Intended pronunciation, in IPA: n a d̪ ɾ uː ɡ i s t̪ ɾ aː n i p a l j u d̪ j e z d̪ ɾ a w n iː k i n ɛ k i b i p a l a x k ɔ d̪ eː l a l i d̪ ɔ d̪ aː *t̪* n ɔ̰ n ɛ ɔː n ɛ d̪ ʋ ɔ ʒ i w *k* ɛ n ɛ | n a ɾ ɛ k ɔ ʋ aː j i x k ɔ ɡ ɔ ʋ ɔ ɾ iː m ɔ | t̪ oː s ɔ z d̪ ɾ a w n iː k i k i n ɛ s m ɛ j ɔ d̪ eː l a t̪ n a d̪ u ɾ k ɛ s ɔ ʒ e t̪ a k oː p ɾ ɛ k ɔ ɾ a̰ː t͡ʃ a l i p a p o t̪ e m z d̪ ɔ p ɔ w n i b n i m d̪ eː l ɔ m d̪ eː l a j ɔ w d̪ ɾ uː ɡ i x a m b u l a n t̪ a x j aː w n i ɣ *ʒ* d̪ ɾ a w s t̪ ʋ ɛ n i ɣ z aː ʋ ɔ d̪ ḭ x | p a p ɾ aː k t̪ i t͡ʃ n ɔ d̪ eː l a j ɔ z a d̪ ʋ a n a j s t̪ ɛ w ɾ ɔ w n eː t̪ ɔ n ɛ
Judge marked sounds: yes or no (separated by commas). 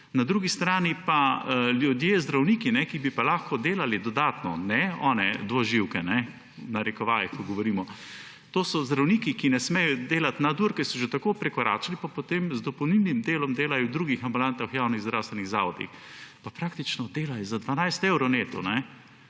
yes, yes, no